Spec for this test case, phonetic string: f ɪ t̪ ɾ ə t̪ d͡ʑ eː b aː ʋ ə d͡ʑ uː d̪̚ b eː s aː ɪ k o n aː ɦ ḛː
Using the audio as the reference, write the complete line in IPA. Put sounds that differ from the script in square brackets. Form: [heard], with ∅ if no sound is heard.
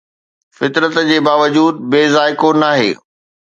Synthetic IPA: f ɪ t̪ ɾ ə t̪ d͡ʑ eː b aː ʋ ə d͡ʑ uː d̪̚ b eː [z] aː ɪ k o n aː ɦ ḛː